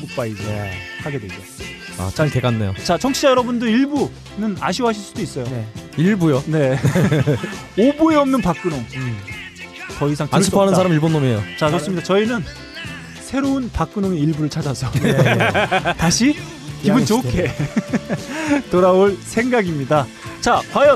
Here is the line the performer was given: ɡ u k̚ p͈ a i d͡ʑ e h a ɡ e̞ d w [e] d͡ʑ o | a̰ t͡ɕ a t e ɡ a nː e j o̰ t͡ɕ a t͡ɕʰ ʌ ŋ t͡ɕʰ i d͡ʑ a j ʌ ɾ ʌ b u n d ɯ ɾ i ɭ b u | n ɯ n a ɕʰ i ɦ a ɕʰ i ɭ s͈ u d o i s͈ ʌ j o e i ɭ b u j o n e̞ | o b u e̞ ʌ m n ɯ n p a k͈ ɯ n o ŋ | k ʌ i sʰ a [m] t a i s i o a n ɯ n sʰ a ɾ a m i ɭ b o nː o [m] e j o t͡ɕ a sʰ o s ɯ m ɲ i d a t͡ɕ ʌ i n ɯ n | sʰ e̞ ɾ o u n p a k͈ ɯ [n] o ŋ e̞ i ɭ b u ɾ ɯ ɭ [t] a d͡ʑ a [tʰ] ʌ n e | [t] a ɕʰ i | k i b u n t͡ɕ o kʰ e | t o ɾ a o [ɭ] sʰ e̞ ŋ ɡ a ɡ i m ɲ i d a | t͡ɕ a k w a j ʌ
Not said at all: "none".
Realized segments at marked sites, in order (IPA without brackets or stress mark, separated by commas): e, ŋ, m, n, t͡ɕʰ, sʰ, t, ɭ